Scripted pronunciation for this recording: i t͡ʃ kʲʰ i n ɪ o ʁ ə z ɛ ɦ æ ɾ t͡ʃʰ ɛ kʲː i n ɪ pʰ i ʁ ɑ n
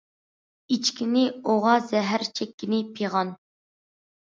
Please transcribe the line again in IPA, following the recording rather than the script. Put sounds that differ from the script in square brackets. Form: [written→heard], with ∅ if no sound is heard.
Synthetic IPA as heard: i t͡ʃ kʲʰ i n ɪ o ʁ [ə→ɑ] z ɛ ɦ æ ɾ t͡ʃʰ ɛ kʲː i n ɪ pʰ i ʁ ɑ n